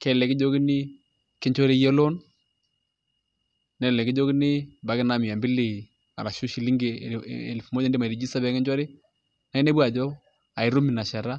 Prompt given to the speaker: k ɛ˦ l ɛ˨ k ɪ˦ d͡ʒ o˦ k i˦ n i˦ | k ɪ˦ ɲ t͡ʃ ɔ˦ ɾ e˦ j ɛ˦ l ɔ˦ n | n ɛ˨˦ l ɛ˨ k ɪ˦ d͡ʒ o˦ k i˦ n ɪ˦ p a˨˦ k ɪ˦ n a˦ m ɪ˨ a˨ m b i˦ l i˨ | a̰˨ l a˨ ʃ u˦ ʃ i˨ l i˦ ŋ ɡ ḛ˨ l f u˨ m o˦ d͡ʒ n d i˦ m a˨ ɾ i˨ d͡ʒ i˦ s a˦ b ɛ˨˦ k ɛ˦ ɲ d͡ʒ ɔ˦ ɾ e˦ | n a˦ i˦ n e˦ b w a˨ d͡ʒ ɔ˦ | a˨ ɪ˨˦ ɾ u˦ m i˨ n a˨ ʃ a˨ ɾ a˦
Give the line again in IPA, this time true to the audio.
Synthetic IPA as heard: k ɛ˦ l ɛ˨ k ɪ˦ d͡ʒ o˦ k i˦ n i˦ | k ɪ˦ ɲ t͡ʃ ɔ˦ ɾ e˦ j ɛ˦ l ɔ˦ n | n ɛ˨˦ l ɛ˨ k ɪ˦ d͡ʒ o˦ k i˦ n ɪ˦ b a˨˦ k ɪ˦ n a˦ m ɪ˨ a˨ m b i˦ l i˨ | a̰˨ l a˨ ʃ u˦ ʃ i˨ l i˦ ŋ ɡ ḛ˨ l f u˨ m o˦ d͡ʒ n d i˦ m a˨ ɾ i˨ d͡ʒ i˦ s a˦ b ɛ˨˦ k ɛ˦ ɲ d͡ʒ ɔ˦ ɾ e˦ | n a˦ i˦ n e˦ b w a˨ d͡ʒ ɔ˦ | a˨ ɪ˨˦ ɾ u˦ m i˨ n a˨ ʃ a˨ ɾ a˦